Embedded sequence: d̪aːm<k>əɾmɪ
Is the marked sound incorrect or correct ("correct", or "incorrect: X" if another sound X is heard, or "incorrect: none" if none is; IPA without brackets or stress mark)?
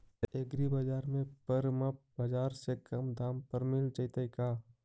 incorrect: p